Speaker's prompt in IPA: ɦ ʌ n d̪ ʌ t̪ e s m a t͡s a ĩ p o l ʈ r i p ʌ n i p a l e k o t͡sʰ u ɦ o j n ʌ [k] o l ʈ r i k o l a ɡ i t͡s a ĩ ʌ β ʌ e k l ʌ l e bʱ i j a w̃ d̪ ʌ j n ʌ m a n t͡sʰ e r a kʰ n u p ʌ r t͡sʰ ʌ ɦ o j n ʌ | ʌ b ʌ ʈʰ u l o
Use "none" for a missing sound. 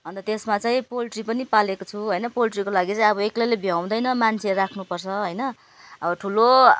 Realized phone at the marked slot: p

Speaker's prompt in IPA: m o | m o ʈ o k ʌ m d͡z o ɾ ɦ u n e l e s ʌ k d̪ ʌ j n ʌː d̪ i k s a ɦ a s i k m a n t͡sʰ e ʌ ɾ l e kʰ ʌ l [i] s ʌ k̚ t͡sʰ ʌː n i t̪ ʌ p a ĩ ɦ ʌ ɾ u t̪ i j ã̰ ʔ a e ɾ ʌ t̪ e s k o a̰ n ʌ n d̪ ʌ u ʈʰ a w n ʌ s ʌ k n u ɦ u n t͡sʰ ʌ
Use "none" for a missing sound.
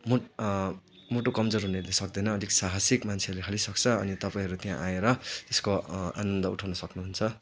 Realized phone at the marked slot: i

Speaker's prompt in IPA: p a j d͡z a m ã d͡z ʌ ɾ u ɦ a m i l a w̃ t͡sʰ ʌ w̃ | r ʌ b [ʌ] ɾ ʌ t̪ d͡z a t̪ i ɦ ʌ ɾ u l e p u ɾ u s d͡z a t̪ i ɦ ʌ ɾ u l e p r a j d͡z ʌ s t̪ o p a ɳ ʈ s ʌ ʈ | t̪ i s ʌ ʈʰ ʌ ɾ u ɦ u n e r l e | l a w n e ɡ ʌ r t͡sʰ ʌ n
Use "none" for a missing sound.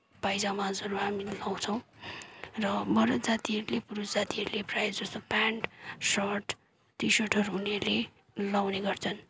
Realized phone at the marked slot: ʌ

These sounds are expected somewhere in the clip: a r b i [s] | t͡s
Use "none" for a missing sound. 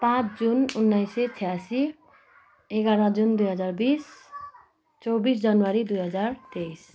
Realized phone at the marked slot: s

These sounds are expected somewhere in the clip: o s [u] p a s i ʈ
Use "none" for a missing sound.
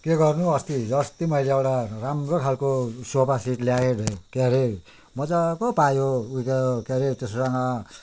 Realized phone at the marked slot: o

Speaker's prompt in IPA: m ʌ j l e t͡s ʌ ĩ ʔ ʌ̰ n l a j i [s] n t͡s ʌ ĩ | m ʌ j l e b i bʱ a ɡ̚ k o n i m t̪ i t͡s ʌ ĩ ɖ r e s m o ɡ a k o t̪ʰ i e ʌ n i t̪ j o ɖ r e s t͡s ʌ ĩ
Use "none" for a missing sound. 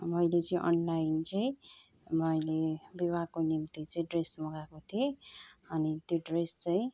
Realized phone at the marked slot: none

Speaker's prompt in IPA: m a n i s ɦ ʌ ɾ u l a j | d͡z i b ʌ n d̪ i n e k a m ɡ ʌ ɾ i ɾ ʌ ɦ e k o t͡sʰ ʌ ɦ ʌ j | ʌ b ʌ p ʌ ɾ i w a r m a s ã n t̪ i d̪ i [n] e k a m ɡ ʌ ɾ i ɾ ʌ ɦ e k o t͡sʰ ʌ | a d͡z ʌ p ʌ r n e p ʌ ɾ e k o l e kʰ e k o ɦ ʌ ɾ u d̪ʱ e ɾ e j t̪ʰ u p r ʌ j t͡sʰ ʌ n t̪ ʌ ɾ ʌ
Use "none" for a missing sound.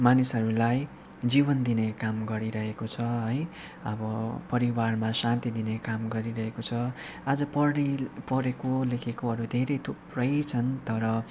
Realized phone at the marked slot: n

